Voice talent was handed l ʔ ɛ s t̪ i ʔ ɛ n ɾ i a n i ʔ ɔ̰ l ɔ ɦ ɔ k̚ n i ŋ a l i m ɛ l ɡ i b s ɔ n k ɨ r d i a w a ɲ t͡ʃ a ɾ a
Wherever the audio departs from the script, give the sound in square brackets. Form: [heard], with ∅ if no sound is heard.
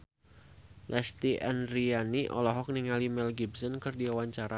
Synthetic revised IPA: l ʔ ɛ s t̪ i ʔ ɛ n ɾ i a n i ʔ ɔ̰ l ɔ ɦ ɔ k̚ n i ŋ a l i m ɛ l ɡ i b s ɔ n k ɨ r d i a w a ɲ t͡ʃ a ɾ a